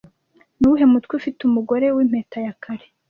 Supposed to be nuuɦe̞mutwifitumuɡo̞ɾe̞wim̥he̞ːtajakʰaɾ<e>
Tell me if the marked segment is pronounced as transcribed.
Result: yes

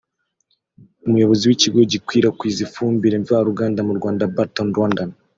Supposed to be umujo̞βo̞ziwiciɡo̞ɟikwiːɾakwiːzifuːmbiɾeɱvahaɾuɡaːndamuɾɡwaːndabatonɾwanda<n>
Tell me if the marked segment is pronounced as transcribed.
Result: yes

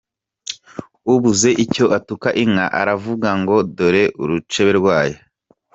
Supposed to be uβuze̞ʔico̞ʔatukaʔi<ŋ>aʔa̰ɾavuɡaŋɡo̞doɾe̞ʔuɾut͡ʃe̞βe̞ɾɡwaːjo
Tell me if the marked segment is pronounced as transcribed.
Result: yes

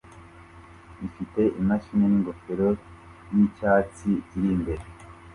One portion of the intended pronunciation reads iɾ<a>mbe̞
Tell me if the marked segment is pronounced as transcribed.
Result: no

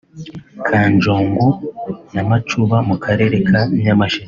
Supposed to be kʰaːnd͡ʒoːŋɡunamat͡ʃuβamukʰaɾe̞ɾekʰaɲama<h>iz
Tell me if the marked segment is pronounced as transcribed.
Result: no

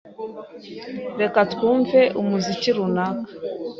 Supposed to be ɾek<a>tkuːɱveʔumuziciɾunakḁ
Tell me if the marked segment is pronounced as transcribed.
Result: yes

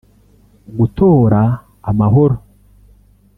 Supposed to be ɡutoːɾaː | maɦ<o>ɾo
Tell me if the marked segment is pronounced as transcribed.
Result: yes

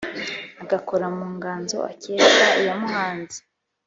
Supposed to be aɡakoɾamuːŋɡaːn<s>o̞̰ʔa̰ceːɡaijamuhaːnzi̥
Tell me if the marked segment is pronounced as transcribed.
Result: no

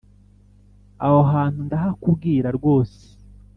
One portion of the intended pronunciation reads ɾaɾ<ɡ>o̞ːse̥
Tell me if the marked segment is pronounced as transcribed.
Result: yes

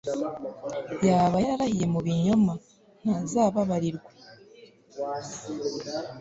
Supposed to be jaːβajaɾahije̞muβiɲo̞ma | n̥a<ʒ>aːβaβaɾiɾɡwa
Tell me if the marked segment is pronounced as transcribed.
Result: no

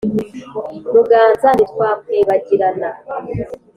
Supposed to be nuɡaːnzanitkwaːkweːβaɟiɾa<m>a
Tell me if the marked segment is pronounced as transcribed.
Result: no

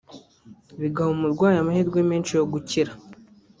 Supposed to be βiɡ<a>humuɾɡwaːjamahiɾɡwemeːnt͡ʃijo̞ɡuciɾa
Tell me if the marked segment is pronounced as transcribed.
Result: yes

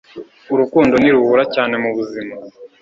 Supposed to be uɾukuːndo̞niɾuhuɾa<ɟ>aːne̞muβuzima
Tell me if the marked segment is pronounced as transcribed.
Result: no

